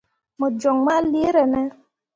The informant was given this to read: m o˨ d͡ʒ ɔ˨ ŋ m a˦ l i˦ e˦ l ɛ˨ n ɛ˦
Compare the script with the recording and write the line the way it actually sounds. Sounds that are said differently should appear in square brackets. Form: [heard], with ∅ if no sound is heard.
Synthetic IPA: m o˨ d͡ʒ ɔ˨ ŋ m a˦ l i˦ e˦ [ɾ] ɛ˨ n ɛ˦